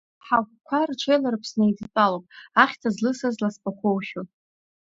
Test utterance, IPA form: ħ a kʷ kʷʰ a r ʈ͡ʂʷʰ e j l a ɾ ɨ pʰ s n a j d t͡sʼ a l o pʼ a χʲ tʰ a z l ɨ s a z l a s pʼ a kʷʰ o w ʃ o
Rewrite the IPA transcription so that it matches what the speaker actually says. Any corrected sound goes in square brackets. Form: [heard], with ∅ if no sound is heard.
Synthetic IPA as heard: ħ a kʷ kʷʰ a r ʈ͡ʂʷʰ e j l a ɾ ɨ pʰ s n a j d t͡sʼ a l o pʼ a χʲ tʰ a z l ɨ s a z l a s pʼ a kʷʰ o w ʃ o

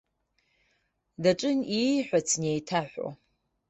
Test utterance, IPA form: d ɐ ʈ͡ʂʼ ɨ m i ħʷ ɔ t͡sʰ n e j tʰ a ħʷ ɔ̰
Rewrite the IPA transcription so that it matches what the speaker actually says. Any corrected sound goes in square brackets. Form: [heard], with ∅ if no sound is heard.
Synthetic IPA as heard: d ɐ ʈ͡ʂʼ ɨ [n] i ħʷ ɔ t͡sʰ n e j tʰ a ħʷ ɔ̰

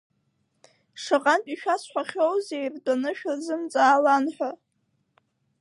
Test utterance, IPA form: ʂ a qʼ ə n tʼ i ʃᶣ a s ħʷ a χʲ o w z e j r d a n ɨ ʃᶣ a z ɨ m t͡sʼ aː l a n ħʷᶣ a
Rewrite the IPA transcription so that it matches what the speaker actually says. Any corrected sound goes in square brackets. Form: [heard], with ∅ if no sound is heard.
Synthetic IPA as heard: ʂ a qʼ [a] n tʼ i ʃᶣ a s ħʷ a χʲ o w z e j r d a n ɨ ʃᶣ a z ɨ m t͡sʼ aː l a n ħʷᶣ a

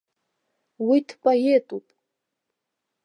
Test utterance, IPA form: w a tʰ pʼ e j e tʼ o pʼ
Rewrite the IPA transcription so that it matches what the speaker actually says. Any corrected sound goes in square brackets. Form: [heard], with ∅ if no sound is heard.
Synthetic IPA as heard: w [i] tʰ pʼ [a] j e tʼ [u] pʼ

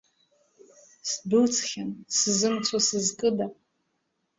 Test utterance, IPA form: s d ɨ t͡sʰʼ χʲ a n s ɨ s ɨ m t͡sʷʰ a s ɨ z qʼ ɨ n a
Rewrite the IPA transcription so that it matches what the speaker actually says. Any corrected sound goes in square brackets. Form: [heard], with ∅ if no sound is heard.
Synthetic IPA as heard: s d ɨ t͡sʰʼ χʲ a n s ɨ [z] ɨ m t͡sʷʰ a s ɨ z [kʼ] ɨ [d] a

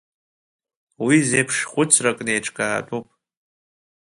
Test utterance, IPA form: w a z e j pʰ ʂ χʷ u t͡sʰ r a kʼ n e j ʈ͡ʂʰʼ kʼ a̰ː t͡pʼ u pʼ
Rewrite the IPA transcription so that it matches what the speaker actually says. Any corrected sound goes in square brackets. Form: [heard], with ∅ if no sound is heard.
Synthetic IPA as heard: w [i] z e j pʰ ʂ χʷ [ʊ] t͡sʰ r a kʼ n e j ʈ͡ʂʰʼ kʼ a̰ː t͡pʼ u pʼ

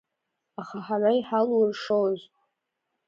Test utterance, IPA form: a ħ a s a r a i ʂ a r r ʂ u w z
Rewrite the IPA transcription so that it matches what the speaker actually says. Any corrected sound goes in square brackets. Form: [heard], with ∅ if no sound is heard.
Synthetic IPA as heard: a [χ] a [ħ] a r a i [ħ] a [l] r ʂ [o] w z

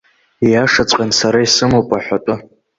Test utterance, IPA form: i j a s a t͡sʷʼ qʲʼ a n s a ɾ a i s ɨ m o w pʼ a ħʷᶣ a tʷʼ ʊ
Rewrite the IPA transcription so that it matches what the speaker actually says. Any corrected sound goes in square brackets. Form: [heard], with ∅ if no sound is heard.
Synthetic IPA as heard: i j a [ʂ] a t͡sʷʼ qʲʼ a n s a ɾ a i s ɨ m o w pʼ a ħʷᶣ a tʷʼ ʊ

